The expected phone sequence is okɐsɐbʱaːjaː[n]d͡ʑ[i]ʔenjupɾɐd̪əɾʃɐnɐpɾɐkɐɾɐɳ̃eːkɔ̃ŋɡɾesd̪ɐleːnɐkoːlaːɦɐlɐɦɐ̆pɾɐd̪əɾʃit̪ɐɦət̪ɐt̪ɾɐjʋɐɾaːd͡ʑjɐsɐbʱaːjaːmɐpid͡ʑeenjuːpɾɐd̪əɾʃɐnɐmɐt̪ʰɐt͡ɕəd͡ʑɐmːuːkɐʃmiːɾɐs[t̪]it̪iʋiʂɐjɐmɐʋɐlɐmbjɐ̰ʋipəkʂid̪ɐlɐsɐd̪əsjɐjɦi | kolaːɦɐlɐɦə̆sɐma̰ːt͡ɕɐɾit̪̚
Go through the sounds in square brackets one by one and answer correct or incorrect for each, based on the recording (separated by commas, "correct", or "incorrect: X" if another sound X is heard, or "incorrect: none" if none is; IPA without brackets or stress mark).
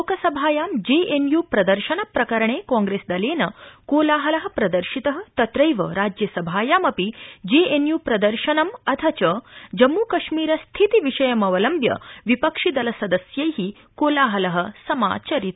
incorrect: m, incorrect: e, incorrect: t̪ʰ